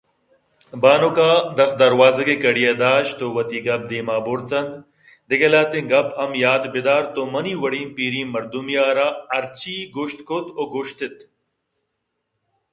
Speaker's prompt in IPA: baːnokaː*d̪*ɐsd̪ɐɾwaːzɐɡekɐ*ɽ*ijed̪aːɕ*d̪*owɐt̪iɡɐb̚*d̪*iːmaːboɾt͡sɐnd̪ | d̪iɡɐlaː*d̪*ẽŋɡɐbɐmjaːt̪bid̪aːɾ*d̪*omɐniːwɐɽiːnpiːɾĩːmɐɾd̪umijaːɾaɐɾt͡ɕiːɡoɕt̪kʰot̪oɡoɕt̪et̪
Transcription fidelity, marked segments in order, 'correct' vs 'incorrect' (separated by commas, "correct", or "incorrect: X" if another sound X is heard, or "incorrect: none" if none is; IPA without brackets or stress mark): correct, correct, incorrect: t̪, correct, incorrect: t̪, incorrect: t̪